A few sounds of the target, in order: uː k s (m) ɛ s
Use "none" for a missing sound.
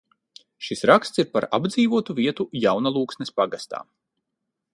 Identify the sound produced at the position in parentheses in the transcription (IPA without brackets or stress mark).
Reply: n